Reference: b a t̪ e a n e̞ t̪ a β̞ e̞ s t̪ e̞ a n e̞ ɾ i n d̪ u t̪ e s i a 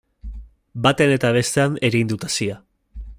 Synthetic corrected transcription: b a t̪ e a n e̞ t̪ a β̞ e̞ s t̪ e̞ a n e̞ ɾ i n d̪ u t̪ a s i a